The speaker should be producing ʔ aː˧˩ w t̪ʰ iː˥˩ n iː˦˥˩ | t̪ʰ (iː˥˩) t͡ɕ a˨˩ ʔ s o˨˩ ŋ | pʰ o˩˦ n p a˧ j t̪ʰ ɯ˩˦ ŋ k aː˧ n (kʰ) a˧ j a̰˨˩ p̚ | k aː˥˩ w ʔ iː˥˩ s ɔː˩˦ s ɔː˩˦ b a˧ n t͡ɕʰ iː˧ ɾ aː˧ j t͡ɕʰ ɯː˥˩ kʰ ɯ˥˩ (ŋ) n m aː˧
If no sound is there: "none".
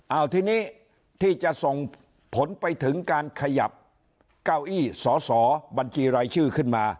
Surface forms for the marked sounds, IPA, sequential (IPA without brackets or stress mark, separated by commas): iː˥˩, kʰ, none